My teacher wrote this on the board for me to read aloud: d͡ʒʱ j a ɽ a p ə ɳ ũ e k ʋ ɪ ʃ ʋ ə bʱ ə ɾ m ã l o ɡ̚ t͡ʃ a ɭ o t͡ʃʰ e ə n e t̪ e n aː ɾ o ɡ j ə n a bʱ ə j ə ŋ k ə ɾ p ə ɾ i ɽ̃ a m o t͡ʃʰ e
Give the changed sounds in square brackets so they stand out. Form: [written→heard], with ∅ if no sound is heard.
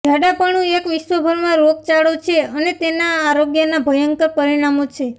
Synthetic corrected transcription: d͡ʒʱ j a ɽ a p ə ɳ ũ e k ʋ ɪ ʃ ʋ ə bʱ ə ɾ m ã [l→ɾ] o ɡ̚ t͡ʃ a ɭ o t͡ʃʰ e ə n e t̪ e n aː ɾ o ɡ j ə n a bʱ ə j ə ŋ k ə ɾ p ə ɾ i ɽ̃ a m o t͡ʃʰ e

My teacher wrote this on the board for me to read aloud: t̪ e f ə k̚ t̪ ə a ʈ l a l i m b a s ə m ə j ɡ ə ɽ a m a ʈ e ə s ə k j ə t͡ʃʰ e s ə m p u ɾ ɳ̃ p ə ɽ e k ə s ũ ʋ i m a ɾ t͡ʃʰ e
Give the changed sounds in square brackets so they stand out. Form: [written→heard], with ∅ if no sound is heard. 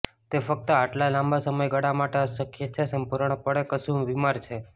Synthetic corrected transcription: t̪ e f ə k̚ t̪ ə a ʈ l a l [i→a] m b a s ə m ə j ɡ ə ɽ a m a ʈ e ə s ə k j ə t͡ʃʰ e s ə m p u ɾ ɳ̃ p ə ɽ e k ə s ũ ʋ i m a ɾ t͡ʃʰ e

